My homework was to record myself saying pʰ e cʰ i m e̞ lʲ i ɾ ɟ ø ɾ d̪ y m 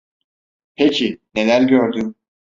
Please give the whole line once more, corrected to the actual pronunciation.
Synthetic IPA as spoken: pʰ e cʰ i n e̞ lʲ æ ɾ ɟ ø ɾ d̪ y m